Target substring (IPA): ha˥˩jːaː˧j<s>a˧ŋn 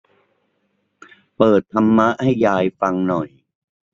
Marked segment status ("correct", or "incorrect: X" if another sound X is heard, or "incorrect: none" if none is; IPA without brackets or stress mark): incorrect: f